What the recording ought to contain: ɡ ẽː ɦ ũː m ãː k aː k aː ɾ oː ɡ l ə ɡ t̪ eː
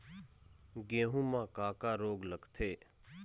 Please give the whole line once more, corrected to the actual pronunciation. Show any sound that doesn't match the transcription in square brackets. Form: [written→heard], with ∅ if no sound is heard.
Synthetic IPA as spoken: ɡ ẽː ɦ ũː m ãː k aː k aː ɾ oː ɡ l ə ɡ [t̪→t̪ʰ] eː